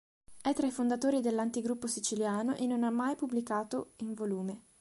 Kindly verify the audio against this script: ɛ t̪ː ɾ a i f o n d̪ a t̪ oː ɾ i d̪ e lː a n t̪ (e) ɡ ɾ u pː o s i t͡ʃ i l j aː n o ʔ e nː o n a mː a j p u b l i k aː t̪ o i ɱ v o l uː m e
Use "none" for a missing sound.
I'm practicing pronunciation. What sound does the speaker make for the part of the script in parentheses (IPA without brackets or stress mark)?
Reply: i